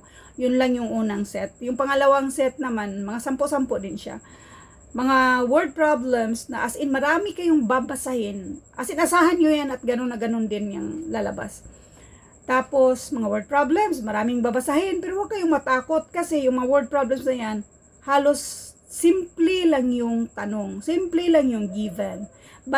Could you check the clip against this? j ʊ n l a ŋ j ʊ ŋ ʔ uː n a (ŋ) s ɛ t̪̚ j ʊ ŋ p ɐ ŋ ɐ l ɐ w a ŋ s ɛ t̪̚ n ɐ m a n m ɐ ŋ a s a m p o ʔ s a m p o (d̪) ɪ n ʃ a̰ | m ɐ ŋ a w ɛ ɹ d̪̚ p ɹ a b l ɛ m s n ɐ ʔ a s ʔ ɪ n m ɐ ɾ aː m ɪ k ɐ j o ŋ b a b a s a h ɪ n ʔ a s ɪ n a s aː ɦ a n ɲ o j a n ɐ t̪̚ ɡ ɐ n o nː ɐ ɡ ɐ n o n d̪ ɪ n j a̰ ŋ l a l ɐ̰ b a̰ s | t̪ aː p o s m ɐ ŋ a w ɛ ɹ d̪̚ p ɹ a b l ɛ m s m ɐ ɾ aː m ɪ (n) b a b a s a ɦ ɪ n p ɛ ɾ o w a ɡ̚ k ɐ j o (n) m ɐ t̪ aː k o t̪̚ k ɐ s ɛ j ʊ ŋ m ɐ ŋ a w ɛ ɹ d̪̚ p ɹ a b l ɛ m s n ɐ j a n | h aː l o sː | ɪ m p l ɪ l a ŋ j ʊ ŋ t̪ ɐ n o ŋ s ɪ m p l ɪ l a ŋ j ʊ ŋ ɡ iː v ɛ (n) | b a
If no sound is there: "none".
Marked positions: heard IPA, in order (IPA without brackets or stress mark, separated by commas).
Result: ŋ, d̪, ŋ, ŋ, n